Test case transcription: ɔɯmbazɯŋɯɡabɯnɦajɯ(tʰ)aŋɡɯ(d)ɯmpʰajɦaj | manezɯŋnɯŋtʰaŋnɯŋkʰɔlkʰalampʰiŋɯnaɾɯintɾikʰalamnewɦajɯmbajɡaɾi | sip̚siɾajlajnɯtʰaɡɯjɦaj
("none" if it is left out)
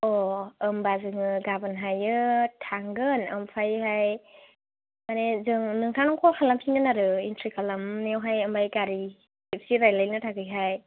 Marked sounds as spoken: tʰ, n

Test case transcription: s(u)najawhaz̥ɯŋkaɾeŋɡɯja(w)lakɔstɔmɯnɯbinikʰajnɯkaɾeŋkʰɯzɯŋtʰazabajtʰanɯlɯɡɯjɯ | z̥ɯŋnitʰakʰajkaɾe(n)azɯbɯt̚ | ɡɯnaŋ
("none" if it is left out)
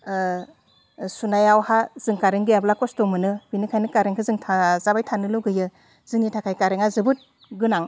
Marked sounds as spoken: u, b, ŋ

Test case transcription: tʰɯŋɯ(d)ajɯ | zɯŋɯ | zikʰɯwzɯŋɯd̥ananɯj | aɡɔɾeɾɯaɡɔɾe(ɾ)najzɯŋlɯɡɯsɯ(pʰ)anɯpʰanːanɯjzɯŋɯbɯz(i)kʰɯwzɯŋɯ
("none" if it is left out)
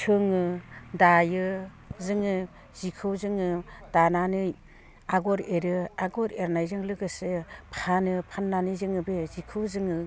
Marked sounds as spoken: d, ɾ, pʰ, i

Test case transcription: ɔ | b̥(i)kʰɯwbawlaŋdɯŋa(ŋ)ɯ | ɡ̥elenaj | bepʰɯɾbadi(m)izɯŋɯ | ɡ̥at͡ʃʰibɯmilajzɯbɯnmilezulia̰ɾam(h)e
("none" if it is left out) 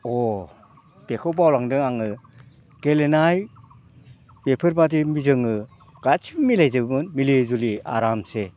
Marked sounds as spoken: e, ŋ, m, s

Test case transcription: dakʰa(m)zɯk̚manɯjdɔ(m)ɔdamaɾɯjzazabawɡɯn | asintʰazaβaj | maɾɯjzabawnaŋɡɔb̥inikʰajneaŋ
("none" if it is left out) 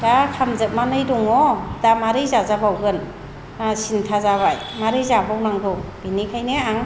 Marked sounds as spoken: m, ŋ

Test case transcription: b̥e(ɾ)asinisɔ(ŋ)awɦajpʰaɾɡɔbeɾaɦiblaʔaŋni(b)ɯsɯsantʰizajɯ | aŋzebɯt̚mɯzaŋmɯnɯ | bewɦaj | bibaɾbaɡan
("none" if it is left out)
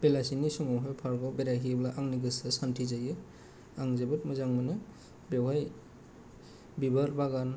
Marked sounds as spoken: l, ŋ, ɡ

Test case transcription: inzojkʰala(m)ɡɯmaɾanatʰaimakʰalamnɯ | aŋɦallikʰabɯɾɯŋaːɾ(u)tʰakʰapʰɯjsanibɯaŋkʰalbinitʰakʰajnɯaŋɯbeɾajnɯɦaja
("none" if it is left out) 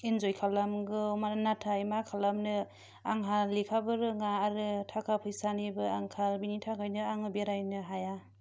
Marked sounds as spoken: m, ɯ

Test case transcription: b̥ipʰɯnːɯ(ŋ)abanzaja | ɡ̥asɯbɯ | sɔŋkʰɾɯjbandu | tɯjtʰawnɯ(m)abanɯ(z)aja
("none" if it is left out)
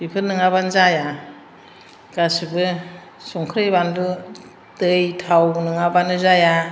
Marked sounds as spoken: ŋ, ŋ, z

